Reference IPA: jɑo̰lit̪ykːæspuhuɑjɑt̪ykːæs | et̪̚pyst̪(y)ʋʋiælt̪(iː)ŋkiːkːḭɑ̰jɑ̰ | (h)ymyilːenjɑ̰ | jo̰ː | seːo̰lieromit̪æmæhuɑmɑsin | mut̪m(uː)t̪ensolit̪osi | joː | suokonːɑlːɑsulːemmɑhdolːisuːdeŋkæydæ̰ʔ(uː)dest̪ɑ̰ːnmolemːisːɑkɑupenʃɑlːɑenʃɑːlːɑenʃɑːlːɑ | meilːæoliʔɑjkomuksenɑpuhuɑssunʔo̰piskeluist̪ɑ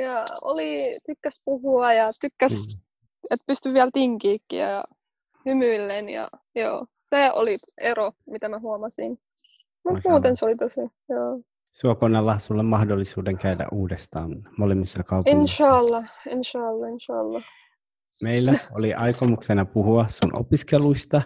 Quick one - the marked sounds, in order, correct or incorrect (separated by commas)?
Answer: correct, incorrect, correct, correct, correct